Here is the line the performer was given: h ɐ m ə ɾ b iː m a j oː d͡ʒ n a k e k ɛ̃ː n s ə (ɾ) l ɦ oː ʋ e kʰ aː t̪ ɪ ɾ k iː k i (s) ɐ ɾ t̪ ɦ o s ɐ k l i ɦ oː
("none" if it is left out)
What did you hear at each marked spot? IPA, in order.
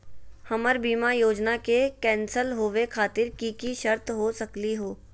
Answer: none, ʃ

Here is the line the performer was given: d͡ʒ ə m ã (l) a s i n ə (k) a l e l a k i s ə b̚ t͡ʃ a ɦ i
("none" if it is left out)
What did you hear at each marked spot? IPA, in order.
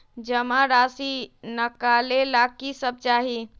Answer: ɾ, k

